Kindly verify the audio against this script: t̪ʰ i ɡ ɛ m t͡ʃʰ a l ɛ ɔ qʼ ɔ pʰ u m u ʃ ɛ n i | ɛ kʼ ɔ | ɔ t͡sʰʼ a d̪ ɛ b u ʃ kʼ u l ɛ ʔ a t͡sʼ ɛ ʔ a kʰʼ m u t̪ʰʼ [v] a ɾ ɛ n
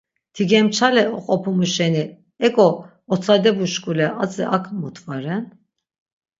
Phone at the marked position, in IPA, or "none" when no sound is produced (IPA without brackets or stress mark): v